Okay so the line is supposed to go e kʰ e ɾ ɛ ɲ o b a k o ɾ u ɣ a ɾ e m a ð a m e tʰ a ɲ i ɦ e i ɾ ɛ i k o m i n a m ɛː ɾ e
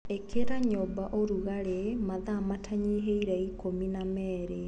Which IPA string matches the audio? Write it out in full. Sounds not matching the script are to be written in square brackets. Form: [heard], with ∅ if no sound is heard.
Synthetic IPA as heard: e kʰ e ɾ [a] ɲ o b a [ʔ] o ɾ u ɣ a ɾ e m a ð a m [a] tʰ a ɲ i ɦ e i ɾ ɛ i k o m i n a m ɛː ɾ e